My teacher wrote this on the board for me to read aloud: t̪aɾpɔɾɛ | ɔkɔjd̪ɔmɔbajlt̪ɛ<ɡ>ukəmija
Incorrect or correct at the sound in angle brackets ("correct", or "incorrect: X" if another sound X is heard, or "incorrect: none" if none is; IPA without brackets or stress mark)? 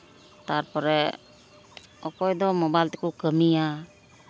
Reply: incorrect: k